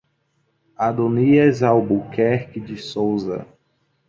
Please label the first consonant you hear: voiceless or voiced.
voiced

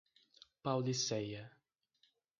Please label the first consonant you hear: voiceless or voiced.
voiceless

